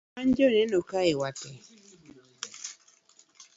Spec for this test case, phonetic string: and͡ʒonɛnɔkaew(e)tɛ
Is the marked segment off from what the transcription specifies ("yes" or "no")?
yes